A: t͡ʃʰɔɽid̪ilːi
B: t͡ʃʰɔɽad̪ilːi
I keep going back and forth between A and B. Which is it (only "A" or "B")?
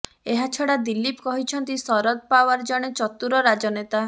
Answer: B